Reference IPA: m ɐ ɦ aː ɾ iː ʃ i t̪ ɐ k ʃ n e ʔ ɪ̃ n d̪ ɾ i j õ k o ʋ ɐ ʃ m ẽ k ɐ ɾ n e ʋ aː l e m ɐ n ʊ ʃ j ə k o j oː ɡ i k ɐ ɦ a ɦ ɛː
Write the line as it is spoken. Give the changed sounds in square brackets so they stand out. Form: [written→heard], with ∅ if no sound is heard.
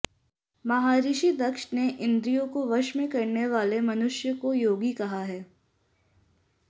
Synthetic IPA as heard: m ɐ ɦ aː ɾ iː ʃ i [t̪→d̪] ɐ k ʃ n e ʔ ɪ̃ n d̪ ɾ i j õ k o ʋ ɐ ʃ m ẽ k ɐ ɾ n e ʋ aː l e m ɐ n ʊ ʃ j ə k o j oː ɡ i k ɐ ɦ a ɦ ɛː